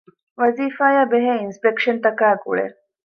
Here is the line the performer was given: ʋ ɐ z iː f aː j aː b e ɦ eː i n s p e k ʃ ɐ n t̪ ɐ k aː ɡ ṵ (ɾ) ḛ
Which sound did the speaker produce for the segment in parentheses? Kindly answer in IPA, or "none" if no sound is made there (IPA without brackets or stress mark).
ɭ